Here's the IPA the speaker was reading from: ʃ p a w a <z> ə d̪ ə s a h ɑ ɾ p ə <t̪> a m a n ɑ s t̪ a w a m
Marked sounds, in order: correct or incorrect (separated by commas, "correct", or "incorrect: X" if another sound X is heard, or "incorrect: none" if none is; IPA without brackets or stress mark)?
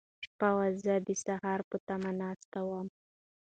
correct, correct